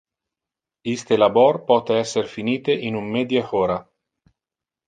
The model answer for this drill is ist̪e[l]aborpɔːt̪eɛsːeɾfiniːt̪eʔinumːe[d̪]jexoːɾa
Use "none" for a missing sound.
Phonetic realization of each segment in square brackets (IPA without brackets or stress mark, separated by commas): l, d̪